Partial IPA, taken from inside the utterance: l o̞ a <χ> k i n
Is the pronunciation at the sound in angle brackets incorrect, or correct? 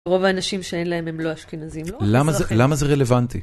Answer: incorrect